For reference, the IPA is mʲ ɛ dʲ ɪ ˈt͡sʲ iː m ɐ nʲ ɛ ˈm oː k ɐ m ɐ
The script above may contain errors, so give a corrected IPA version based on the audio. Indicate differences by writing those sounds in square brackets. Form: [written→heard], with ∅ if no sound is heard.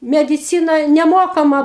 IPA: mʲ ɛ dʲ ɪ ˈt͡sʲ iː [m→n] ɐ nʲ ɛ ˈm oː k ɐ m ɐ